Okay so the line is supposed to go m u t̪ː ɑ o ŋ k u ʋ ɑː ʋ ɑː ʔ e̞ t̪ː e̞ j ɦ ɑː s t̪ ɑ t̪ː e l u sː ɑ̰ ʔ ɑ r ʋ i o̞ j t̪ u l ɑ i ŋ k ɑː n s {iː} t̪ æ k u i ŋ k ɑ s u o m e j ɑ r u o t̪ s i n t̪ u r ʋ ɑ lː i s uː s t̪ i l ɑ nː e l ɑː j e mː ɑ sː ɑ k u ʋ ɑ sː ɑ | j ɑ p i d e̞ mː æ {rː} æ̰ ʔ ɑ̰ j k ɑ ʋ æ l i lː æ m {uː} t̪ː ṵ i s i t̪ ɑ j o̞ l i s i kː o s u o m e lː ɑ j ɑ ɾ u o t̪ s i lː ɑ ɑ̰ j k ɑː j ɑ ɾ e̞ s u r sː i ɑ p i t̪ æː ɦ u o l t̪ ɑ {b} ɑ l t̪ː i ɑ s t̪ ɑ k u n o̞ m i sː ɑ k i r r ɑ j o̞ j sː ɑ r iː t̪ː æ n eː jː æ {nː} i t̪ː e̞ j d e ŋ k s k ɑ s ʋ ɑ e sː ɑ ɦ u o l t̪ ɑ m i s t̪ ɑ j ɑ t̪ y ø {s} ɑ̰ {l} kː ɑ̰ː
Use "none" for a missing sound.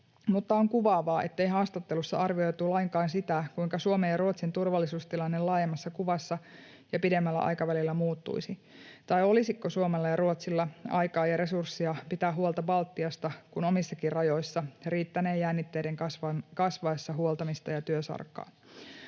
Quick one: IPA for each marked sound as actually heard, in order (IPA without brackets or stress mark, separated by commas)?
i, lː, uː, b, nː, s, r